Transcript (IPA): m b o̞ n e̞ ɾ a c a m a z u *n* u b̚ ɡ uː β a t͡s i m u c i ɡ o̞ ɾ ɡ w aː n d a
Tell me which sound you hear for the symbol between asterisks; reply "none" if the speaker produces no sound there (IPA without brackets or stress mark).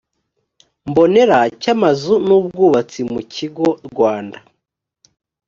n